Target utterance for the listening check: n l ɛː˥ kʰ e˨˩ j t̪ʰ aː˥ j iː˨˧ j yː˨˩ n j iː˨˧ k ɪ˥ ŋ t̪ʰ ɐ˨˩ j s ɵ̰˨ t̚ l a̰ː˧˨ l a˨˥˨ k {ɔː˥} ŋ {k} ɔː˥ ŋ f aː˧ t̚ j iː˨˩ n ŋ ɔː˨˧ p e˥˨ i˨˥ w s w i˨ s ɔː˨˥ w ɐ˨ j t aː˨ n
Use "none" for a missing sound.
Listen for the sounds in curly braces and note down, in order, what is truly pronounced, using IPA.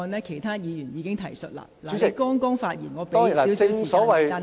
ɔː˥, k

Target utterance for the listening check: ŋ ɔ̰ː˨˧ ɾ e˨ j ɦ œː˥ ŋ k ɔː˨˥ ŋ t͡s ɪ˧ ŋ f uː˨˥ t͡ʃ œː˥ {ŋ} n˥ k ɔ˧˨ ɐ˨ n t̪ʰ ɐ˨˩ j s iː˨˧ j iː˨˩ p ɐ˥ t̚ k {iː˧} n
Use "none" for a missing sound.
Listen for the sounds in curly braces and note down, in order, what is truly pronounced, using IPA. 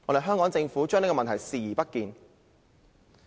ŋ, iː˧

